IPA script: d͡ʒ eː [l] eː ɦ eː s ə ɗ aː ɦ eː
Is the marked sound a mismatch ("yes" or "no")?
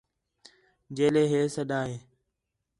no